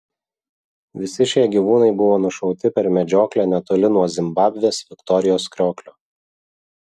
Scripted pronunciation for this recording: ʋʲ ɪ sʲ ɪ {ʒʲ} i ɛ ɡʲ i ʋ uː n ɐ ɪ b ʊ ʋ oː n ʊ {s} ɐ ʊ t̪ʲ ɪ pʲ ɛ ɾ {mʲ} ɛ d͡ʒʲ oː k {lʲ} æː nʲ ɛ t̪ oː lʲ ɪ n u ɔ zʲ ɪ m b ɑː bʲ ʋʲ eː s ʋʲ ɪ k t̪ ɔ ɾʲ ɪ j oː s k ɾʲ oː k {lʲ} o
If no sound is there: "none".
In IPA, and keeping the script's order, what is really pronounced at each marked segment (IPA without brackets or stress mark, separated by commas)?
ʃʲ, ʃ, mʲ, lʲ, lʲ